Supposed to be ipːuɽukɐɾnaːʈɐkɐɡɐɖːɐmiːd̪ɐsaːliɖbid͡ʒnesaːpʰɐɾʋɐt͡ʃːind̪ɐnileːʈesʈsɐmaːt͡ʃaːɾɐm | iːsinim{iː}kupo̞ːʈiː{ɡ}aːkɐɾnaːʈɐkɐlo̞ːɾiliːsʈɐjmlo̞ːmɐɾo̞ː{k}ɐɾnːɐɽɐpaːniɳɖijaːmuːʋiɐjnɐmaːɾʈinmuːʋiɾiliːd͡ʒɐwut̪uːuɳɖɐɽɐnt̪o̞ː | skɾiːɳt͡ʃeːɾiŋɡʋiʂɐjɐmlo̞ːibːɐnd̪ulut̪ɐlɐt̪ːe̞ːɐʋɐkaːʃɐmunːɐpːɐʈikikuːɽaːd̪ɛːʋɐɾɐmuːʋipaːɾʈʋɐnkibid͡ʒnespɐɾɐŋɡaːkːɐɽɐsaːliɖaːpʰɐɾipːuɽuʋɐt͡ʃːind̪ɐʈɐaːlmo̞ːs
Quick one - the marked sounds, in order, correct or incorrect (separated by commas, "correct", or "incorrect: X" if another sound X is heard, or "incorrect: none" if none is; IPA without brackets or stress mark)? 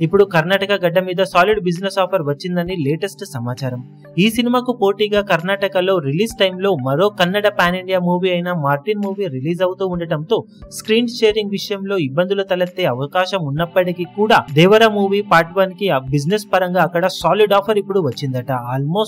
incorrect: aː, correct, correct